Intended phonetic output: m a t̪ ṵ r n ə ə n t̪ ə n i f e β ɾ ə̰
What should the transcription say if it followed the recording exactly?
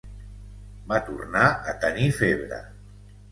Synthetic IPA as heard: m a t̪ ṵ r n a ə t̪ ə n i f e β ɾ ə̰